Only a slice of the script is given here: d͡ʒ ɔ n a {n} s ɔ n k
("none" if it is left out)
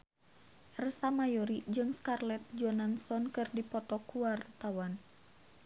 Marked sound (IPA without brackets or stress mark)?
n